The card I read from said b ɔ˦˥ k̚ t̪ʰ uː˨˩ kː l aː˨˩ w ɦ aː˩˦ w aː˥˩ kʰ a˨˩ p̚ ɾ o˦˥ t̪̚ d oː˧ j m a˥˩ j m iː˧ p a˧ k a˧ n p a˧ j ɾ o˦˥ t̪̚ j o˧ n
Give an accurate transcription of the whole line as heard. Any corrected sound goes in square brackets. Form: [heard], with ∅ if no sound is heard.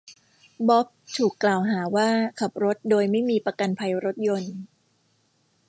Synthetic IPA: b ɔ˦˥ [p̚] t̪ʰ uː˨˩ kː l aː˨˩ w ɦ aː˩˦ w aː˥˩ kʰ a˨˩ p̚ ɾ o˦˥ t̪̚ d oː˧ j m a˥˩ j m iː˧ p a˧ k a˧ n [pʰ] a˧ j ɾ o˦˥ t̪̚ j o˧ n